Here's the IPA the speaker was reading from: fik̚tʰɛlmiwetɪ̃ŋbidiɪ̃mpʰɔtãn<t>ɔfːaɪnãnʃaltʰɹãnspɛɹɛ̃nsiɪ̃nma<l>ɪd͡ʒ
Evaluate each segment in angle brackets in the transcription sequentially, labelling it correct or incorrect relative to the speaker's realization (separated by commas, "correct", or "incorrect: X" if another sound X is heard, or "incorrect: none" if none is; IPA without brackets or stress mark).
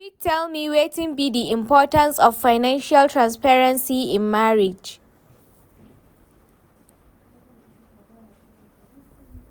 incorrect: s, incorrect: ɹ